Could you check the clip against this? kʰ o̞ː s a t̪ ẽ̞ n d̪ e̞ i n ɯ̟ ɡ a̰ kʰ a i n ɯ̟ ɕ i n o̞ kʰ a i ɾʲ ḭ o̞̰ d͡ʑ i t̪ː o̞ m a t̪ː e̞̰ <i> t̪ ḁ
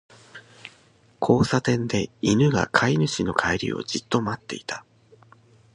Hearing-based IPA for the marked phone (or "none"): i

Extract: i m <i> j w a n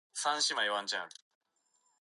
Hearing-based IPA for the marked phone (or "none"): a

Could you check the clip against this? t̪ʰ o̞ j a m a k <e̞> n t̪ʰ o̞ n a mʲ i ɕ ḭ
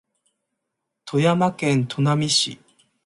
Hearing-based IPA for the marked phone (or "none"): ẽ̞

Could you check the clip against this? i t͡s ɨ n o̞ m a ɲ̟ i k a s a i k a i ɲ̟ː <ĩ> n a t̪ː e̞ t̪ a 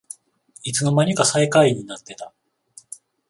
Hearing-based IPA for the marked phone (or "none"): i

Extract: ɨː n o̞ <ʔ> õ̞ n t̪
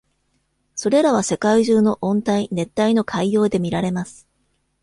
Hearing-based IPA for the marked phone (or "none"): ʔ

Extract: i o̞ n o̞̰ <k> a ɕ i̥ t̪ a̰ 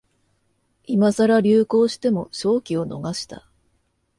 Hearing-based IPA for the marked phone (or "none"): ɡ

